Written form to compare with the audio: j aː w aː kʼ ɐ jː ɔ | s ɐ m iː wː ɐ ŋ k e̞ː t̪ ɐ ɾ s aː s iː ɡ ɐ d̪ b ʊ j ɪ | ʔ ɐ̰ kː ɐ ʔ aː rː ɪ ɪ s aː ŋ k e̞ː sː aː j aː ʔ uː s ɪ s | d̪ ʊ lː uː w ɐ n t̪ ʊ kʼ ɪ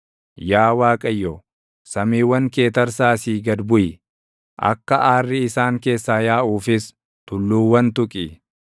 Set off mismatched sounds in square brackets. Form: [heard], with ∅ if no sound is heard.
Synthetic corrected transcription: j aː w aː kʼ ɐ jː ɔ | s ɐ m iː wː ɐ ŋ k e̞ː t̪ ɐ ɾ s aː s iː ɡ ɐ d̪ b ʊ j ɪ | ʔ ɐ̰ kː ɐ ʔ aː rː ɪ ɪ s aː ŋ k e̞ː sː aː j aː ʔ uː [f] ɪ s | [t̪] ʊ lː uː w ɐ n t̪ ʊ kʼ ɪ